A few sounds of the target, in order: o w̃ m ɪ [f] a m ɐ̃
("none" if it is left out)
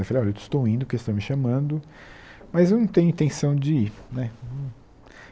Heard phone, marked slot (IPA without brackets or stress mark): ʃ